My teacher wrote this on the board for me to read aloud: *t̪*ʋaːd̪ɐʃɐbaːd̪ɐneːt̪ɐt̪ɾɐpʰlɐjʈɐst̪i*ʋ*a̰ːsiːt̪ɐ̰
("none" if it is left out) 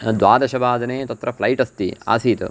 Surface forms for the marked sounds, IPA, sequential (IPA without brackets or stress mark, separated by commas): d̪, none